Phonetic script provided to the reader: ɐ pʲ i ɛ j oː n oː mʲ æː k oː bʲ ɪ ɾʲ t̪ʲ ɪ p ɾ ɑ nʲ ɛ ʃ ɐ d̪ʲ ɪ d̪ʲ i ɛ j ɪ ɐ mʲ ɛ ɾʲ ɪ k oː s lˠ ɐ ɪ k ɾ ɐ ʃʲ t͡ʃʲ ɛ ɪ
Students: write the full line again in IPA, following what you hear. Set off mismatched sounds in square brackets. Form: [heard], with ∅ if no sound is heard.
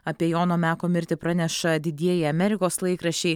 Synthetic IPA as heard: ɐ pʲ i ɛ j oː n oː mʲ æː k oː [mʲ] ɪ ɾʲ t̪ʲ ɪ p ɾ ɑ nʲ ɛ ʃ ɐ d̪ʲ ɪ d̪ʲ i ɛ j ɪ ɐ mʲ ɛ ɾʲ ɪ k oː s lˠ ɐ ɪ k ɾ ɐ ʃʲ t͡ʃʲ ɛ ɪ